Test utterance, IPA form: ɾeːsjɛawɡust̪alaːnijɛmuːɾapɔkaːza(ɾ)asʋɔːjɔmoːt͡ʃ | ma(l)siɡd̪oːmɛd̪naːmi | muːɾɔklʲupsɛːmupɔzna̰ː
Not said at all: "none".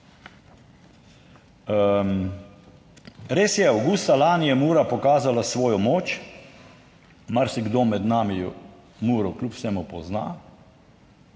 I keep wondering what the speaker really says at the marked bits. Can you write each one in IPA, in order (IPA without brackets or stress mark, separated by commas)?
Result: l, ɾ